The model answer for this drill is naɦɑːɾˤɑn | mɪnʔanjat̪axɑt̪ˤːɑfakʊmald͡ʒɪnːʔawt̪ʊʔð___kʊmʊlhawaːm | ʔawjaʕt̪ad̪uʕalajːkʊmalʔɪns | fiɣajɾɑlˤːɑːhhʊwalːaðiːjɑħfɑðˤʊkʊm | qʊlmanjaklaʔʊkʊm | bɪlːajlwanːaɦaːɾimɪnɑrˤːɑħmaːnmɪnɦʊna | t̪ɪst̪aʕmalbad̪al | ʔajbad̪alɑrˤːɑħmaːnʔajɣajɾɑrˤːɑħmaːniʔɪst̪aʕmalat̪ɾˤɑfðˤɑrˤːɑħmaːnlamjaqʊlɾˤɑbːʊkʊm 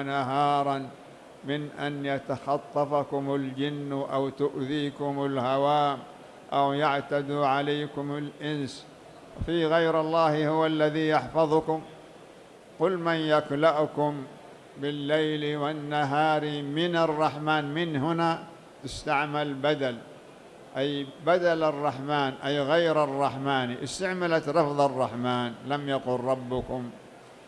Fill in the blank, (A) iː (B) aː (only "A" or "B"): A